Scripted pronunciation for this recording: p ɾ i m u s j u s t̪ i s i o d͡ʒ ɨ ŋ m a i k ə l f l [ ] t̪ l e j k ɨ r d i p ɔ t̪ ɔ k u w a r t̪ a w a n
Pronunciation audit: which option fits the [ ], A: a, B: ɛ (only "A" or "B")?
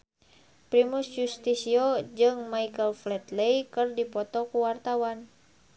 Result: B